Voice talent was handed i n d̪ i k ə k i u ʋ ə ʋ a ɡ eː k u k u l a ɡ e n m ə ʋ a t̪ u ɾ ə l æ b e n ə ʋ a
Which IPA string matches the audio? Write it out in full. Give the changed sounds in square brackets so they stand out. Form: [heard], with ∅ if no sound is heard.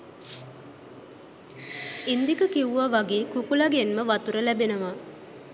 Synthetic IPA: i n d̪ i k ə k i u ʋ [a] ʋ a ɡ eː k u k u l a ɡ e n m ə ʋ a t̪ u ɾ ə l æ b e n ə ʋ a